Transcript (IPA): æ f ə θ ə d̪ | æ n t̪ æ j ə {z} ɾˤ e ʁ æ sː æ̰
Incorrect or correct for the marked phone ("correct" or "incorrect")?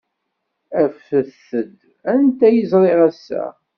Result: correct